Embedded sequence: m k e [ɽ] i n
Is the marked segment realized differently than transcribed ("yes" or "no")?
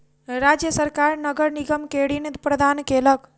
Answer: no